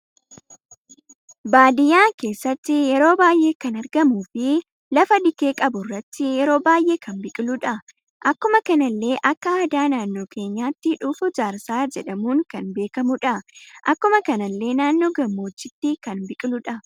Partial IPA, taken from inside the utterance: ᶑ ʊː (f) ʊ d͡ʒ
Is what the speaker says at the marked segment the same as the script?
yes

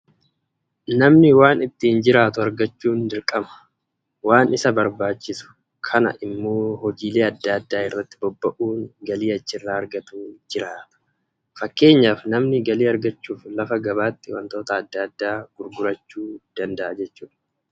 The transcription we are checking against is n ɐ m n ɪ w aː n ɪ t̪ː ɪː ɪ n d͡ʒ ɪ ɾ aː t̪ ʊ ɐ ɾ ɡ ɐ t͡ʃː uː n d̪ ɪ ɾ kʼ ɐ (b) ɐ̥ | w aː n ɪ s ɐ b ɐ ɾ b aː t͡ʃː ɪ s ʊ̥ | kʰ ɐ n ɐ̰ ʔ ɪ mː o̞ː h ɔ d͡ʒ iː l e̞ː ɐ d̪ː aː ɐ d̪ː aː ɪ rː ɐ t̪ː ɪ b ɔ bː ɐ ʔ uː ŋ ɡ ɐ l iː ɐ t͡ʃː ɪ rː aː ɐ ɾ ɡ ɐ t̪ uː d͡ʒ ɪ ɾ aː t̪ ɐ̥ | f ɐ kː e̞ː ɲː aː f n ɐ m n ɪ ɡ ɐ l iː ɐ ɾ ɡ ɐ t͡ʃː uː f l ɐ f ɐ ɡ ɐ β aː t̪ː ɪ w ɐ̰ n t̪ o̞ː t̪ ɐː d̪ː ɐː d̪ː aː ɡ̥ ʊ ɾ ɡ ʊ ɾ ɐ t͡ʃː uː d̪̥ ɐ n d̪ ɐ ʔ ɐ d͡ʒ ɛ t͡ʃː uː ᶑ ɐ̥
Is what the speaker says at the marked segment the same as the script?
no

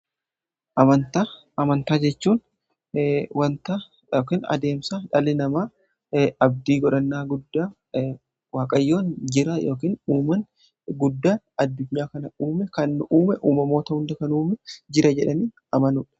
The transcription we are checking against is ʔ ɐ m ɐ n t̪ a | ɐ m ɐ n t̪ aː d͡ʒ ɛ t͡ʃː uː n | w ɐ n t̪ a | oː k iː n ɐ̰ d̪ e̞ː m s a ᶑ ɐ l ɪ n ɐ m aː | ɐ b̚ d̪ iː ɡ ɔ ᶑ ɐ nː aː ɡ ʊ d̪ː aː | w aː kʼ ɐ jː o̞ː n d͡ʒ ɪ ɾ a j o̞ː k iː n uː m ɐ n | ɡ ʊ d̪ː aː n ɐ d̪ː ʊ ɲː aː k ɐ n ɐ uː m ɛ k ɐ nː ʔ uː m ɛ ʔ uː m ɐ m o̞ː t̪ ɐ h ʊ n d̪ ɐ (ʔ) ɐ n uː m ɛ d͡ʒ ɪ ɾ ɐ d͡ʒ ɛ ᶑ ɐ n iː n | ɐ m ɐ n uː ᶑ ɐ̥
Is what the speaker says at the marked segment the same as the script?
no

